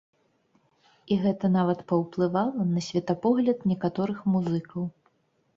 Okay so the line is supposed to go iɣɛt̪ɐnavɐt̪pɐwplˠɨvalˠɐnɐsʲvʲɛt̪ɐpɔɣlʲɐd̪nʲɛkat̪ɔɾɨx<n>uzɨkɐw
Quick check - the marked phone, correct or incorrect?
incorrect